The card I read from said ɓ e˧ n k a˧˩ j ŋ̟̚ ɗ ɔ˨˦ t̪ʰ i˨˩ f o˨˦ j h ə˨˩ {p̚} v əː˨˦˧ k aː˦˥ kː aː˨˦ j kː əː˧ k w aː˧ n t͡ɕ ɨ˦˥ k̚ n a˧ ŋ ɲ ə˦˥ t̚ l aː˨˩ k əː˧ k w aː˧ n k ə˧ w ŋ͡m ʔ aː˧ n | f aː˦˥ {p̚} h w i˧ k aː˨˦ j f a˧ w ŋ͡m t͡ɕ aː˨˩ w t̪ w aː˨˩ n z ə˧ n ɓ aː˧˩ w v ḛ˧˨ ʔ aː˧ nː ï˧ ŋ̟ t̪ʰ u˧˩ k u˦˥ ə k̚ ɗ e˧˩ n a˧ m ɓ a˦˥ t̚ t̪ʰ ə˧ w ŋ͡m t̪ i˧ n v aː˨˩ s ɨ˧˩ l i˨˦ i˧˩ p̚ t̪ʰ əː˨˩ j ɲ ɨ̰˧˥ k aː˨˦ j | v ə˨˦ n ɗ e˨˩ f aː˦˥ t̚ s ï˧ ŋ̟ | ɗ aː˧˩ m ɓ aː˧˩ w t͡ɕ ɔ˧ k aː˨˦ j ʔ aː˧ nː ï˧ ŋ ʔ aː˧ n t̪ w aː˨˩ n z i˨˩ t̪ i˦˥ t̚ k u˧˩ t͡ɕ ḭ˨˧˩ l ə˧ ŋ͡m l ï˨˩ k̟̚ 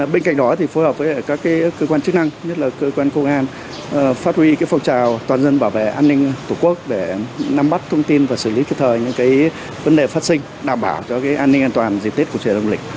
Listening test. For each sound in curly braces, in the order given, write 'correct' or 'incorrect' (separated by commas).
correct, incorrect